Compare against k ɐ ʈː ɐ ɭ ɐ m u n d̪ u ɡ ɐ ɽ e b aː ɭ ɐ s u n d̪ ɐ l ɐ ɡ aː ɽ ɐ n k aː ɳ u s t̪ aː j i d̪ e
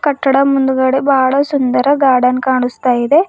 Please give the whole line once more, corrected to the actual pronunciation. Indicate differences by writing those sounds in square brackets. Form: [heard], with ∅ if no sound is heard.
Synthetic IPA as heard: k ɐ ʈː ɐ [ɽ] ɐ m u n d̪ u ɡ ɐ ɽ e b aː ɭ ɐ s u n d̪ ɐ [ɾ] ɐ ɡ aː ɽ ɐ n k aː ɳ u s t̪ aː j i d̪ e